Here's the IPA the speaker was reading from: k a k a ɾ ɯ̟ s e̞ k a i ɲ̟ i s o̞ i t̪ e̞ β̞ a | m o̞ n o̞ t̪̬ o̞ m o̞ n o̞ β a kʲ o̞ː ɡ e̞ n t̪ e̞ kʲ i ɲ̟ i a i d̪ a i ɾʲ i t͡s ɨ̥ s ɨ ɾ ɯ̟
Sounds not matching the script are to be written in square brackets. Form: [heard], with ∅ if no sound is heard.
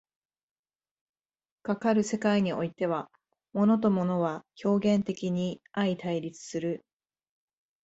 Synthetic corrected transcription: k a k a ɾ ɯ̟ s e̞ k a i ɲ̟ i [∅] o̞ i t̪ e̞ β̞ a | m o̞ n o̞ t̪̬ o̞ m o̞ n o̞ β a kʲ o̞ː ɡ [ẽ̞] n t̪ e̞ kʲ i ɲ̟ i a i [t̪] a i ɾʲ i t͡s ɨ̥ s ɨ ɾ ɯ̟